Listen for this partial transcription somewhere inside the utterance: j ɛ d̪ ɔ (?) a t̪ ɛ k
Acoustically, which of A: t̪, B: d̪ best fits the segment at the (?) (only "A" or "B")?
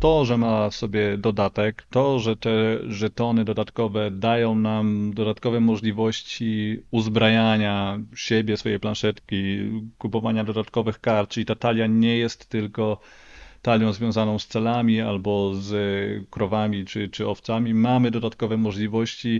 B